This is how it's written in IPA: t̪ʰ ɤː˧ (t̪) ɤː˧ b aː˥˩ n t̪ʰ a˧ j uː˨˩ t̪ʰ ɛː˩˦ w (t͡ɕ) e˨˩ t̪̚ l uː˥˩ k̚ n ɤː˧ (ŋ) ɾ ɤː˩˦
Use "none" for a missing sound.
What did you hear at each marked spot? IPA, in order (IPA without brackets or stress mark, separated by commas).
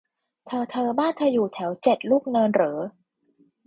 t̪ʰ, t͡ɕ, n